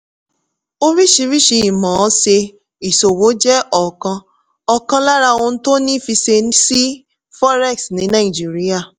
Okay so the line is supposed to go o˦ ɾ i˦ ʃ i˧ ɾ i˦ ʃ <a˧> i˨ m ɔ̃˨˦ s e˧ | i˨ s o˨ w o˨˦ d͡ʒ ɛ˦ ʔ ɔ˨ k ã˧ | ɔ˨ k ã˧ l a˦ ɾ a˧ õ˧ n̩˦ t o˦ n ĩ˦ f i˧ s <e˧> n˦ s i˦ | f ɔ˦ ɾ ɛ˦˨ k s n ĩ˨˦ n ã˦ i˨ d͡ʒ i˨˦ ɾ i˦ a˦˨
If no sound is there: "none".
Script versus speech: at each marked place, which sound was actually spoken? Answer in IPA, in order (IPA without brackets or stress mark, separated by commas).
i˧, e˧